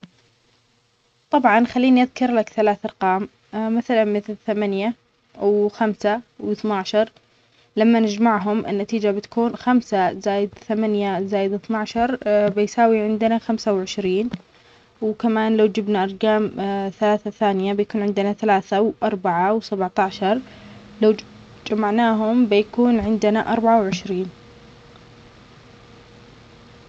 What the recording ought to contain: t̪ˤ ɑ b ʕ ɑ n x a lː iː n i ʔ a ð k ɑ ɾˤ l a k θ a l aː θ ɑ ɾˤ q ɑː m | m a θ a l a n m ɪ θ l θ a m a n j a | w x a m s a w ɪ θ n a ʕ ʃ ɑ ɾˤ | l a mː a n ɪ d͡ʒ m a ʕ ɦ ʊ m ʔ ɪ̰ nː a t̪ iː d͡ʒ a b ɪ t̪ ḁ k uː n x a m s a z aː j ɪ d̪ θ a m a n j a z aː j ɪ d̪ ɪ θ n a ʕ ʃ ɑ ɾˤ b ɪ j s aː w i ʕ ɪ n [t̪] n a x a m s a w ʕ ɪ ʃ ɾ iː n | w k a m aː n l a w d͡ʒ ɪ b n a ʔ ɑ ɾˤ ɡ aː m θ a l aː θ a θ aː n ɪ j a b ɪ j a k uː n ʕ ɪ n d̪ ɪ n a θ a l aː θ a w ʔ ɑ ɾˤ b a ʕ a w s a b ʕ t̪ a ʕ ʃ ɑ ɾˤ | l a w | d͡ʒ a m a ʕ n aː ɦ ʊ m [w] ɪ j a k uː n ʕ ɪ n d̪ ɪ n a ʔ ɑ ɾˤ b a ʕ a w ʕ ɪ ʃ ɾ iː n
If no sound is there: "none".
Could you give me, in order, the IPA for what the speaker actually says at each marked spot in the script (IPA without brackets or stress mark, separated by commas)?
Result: d̪, b